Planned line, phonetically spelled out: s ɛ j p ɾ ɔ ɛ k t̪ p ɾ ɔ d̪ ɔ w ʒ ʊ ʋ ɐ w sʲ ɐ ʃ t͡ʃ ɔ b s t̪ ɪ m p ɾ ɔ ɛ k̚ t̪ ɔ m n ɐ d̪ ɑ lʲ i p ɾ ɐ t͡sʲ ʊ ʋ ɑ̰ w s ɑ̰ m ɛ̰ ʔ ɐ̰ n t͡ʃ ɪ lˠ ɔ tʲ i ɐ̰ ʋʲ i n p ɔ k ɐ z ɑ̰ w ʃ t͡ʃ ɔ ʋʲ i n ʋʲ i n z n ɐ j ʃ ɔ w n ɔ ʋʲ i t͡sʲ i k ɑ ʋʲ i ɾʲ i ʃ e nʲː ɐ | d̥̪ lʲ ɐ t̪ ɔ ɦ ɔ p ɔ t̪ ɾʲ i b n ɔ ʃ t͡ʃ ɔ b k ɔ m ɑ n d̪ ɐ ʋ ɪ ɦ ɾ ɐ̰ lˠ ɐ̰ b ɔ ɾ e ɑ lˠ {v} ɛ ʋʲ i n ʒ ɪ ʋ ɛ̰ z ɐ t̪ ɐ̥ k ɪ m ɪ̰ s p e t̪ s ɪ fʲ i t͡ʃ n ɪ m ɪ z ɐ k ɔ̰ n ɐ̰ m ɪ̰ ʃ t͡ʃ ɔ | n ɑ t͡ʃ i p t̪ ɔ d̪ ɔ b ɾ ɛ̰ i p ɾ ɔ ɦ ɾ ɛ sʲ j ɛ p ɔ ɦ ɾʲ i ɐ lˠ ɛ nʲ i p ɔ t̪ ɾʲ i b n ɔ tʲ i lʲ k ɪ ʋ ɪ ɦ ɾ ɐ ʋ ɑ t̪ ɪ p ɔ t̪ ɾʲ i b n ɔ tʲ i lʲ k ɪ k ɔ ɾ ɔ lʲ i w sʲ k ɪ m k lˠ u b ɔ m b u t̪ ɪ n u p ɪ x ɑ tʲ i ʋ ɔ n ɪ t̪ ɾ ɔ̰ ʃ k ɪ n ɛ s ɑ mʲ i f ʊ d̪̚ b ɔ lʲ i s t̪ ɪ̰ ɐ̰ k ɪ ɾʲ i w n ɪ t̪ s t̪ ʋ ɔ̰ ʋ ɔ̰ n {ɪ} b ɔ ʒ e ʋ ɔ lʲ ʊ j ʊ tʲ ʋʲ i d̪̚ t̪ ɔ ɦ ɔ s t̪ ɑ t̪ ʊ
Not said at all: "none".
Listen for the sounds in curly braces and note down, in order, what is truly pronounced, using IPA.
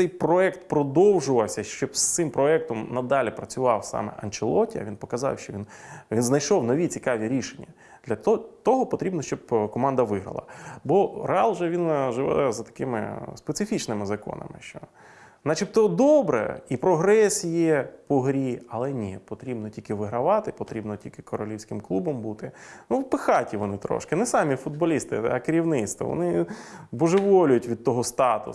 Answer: ʒ, ɪ

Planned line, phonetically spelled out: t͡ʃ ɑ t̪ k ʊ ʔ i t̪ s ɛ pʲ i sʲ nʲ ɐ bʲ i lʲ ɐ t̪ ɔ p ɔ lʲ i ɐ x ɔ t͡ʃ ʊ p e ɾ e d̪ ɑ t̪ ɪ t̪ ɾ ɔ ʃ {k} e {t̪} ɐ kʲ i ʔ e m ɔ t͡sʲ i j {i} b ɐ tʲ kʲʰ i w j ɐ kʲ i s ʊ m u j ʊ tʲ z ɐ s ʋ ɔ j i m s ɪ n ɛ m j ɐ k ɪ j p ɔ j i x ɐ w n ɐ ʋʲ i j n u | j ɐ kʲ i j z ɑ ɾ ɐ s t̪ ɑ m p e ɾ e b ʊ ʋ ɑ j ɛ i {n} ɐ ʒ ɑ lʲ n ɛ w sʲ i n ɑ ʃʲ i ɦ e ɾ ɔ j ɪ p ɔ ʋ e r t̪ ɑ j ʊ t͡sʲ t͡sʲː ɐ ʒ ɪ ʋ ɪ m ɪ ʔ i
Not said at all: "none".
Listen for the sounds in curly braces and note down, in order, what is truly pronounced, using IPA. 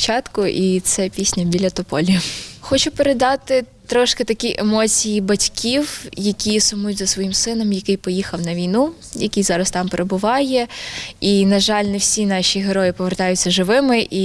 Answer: k, t̪, i, n

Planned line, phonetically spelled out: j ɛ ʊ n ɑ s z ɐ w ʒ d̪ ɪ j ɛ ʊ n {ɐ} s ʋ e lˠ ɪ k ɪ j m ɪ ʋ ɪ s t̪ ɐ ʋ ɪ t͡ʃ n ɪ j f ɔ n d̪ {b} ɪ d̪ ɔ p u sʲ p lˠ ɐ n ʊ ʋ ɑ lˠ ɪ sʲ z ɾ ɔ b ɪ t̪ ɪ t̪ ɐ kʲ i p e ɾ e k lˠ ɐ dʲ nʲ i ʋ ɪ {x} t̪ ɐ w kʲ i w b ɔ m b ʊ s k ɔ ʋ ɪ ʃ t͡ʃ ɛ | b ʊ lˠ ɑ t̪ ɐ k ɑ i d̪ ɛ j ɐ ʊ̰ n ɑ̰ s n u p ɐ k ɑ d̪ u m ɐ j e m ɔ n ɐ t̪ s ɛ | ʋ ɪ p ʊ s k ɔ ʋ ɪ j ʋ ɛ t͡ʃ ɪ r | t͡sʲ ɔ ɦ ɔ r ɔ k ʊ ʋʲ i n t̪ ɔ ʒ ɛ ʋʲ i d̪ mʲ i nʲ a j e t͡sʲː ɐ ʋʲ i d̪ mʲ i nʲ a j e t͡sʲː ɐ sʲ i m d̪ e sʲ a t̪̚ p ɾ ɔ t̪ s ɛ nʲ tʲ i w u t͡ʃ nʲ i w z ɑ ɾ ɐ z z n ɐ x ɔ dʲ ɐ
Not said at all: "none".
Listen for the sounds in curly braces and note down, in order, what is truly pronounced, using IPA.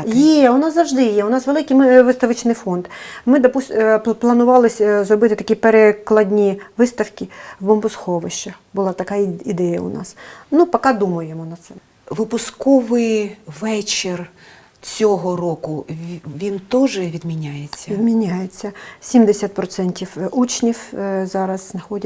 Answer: ɑ, m, s

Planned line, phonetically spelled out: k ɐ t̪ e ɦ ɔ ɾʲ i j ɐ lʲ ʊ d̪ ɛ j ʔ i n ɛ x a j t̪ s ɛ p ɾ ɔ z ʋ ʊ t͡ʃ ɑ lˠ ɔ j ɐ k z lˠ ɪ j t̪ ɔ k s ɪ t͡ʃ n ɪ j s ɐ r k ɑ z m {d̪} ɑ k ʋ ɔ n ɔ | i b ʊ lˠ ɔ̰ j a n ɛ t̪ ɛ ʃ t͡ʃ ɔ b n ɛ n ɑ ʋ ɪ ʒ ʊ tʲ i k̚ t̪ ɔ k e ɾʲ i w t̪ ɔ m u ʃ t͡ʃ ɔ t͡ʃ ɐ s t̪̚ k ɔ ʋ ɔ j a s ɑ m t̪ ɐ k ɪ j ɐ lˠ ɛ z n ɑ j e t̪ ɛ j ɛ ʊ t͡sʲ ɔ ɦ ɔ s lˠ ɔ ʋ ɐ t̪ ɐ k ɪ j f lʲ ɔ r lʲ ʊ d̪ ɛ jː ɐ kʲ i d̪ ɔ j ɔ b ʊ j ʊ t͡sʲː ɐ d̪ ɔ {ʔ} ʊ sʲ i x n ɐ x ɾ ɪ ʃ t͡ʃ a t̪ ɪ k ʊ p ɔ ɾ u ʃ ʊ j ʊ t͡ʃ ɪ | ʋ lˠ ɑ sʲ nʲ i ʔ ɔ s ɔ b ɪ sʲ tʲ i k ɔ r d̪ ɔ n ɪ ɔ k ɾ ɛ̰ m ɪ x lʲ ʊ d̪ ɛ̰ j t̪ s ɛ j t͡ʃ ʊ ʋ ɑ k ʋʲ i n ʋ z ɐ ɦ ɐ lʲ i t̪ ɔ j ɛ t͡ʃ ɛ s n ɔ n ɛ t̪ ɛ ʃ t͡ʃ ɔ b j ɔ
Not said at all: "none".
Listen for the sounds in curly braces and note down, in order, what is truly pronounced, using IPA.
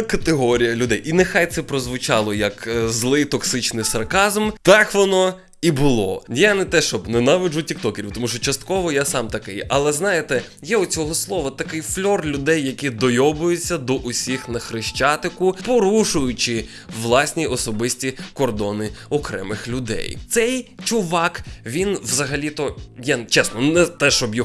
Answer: t̪, ʔ

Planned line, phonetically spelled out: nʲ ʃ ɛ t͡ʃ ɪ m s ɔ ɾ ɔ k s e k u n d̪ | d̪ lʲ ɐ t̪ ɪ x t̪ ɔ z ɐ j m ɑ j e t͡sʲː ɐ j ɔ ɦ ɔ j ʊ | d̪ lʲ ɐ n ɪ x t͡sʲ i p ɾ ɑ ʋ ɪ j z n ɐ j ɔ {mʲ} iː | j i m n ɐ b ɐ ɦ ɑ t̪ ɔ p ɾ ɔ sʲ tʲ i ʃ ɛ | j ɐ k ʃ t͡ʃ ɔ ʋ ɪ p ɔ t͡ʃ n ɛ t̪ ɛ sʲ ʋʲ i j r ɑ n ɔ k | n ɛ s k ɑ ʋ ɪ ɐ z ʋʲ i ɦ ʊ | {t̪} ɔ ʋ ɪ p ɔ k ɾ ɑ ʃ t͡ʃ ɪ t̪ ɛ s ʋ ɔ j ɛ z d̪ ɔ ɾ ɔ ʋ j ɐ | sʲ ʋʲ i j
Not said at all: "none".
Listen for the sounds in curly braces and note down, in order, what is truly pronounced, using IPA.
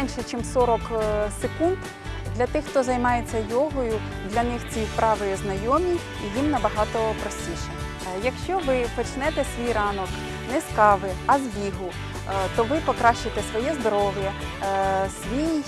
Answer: mʲ, t̪

